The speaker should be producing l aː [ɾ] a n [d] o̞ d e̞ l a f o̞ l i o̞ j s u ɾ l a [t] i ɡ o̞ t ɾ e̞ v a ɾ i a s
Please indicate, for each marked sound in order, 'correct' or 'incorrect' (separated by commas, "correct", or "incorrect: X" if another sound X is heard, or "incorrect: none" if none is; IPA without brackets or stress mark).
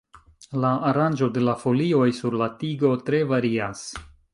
correct, incorrect: d͡ʒ, correct